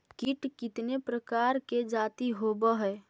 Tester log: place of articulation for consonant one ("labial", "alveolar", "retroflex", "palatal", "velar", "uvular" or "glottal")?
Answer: velar